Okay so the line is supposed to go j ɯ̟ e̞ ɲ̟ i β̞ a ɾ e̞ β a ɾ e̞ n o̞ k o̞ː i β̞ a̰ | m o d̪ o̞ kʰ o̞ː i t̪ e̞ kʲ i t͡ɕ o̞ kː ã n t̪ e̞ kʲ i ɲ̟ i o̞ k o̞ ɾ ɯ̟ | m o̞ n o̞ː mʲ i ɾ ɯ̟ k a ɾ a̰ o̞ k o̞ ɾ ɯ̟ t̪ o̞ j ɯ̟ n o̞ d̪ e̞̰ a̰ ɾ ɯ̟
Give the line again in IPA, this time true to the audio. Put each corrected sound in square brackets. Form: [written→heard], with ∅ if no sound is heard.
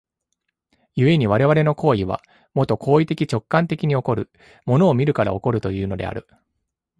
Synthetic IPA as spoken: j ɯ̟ e̞ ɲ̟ i β̞ a ɾ e̞ β a ɾ e̞ n o̞ k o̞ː i β̞ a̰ | m o [d̪→t̪] o̞ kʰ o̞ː i t̪ e̞ kʲ i t͡ɕ o̞ kː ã n t̪ e̞ kʲ i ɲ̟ i o̞ k o̞ ɾ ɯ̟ | m o̞ n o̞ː mʲ i ɾ ɯ̟ k a ɾ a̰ o̞ k o̞ ɾ ɯ̟ t̪ o̞ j [ɯ̟→ɯ̟ː] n o̞ d̪ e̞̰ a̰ ɾ ɯ̟